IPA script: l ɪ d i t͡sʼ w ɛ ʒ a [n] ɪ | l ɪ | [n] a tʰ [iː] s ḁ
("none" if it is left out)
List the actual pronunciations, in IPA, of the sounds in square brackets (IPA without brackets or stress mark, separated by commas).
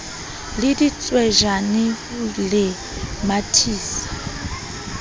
n, m, iː